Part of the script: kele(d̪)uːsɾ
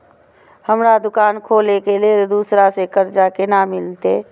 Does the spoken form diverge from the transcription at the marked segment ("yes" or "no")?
no